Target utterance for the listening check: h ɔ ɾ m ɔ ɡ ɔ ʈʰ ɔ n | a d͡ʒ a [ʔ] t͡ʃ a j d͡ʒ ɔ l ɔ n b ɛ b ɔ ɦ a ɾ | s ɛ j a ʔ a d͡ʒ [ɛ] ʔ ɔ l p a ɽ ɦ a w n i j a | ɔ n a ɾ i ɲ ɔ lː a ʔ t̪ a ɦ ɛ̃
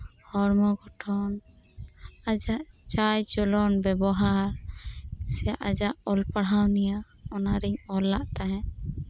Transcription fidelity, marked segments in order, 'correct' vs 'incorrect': correct, incorrect: a

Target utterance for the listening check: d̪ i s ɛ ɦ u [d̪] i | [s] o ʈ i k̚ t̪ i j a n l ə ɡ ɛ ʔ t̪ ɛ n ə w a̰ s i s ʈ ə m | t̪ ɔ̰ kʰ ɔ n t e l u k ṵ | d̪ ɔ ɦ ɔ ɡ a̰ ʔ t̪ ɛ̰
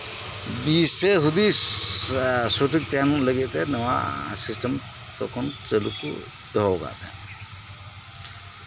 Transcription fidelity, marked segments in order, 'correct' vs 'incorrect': correct, correct

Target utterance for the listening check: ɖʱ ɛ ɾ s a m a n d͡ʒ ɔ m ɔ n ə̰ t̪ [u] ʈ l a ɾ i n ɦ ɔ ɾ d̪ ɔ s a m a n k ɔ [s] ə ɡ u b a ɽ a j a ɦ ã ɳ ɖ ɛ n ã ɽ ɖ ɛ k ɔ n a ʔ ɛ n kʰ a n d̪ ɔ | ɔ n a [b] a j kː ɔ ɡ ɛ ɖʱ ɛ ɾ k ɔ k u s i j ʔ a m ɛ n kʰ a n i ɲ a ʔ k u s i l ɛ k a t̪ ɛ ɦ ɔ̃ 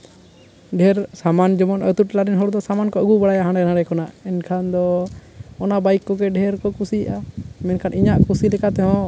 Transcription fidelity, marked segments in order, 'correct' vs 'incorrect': correct, incorrect: none, correct

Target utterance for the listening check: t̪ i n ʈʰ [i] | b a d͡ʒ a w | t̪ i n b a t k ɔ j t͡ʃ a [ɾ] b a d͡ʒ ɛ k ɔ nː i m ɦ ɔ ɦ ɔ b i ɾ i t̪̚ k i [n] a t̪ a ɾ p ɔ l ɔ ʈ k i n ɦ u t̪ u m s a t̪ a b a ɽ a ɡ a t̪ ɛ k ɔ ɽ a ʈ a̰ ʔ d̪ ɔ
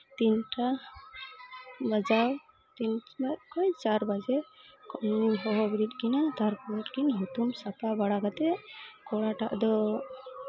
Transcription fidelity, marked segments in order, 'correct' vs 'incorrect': incorrect: a, correct, correct

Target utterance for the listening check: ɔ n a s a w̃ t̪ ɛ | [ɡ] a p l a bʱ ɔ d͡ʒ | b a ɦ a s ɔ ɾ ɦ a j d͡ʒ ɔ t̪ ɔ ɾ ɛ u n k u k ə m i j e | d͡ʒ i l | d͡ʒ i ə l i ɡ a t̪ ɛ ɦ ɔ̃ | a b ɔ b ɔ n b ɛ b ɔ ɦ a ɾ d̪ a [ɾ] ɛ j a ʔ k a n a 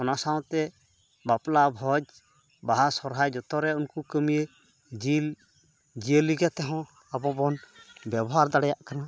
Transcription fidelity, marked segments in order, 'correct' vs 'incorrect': incorrect: b, incorrect: ɽ

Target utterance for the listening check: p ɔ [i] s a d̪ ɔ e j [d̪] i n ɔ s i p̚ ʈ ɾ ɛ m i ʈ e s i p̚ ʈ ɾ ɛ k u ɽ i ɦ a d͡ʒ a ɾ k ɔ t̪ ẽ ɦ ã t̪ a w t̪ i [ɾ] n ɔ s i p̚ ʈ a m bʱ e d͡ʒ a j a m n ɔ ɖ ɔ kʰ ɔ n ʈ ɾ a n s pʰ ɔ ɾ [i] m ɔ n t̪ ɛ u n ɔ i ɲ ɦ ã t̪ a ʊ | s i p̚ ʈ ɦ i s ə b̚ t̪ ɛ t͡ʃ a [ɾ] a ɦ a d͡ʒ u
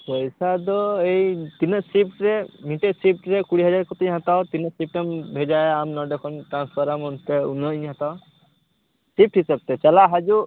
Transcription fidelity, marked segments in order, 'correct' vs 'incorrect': incorrect: j, incorrect: t̪, incorrect: none, incorrect: a, incorrect: l

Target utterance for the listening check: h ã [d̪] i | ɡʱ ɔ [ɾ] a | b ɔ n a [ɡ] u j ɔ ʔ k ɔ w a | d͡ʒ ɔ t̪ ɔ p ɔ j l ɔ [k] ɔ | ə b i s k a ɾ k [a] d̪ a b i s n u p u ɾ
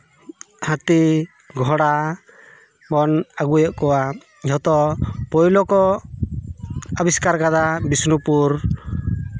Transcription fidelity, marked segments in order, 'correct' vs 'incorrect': incorrect: t̪, incorrect: ɽ, correct, correct, correct

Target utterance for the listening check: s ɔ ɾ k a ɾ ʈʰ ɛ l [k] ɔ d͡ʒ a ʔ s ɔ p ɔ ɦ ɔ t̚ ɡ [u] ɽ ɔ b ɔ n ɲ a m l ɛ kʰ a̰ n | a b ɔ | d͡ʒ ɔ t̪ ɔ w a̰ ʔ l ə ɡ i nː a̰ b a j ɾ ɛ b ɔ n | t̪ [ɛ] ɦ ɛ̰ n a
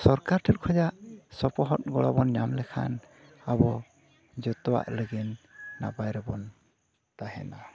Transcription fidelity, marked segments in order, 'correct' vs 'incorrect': incorrect: kʰ, incorrect: ɔ, incorrect: a

